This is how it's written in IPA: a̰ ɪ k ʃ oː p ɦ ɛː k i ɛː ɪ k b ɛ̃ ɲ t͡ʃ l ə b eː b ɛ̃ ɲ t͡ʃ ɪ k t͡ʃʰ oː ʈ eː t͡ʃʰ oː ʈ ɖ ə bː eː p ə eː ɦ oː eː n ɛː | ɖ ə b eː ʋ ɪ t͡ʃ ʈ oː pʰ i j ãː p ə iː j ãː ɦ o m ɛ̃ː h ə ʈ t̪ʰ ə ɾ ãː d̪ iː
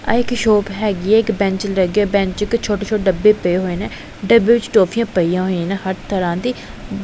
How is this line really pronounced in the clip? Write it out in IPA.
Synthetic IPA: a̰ ɪ k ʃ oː p ɦ ɛː ɡ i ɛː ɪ k b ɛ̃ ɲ t͡ʃ l ə ɡ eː b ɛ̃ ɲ t͡ʃ ɪ k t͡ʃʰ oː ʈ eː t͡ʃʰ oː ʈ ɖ ə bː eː p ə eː ɦ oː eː n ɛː | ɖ ə b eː ʋ ɪ t͡ʃ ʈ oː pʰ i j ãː p ə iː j ãː ɦ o n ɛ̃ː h ə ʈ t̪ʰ ə ɾ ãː d̪ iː